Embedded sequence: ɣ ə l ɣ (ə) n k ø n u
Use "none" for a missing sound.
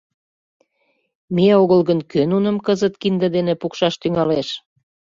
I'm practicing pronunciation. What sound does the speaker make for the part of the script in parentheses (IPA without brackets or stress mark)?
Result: ə